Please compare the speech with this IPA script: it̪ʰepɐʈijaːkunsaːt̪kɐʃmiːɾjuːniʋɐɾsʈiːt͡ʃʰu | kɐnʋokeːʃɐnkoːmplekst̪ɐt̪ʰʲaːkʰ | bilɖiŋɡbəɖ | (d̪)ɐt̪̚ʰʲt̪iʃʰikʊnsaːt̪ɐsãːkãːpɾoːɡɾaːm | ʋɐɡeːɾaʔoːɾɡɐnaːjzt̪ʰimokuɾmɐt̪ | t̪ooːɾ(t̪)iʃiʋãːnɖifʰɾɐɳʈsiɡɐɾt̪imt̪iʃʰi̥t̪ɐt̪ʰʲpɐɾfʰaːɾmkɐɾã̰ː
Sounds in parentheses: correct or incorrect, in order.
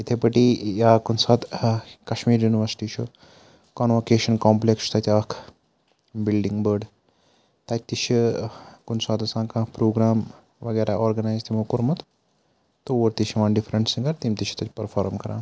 incorrect: t̪, correct

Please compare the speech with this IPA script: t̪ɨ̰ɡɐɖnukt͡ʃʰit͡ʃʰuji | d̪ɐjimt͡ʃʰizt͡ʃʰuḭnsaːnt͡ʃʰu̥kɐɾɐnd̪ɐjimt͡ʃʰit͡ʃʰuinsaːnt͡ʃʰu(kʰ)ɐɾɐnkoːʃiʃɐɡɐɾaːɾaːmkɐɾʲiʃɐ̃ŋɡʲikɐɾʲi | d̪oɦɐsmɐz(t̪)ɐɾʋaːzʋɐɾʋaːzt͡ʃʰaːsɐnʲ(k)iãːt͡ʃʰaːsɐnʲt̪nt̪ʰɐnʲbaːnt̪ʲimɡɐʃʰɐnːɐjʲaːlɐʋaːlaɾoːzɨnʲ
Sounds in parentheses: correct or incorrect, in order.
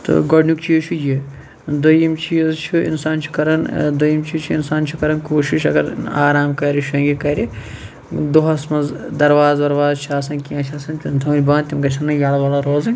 incorrect: k, incorrect: d̪, correct

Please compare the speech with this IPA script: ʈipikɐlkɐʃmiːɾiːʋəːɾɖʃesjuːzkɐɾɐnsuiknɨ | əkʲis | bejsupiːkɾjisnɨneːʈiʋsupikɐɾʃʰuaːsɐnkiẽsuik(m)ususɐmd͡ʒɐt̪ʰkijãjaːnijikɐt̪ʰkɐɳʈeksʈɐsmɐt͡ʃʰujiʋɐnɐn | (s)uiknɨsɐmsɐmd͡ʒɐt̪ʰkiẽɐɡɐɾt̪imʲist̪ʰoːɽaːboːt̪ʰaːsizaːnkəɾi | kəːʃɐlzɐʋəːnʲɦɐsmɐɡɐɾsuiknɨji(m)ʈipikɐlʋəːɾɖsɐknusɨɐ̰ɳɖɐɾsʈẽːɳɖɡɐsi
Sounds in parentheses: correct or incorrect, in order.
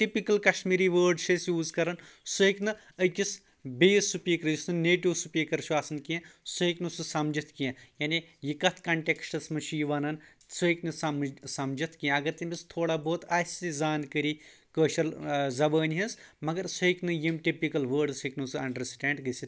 incorrect: n, correct, correct

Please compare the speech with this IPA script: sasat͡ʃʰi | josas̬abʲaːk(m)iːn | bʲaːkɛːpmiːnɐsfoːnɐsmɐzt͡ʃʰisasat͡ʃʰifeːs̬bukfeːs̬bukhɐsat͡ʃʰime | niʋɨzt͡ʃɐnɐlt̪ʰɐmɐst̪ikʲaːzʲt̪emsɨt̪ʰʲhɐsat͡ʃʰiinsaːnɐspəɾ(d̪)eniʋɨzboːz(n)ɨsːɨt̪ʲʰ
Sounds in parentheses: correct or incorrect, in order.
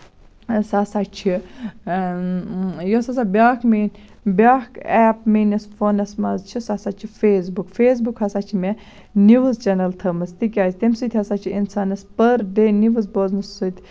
correct, correct, correct

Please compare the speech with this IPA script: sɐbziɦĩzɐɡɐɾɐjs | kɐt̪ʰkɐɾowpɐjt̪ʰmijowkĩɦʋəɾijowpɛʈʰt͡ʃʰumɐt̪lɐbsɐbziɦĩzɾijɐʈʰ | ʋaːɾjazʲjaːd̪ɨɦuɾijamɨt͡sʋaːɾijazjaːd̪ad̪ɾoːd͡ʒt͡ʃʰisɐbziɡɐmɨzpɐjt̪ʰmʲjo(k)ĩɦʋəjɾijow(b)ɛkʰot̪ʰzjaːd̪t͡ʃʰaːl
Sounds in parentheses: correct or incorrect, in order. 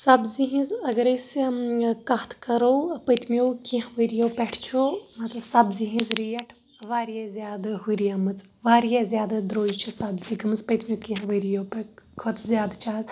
correct, incorrect: p

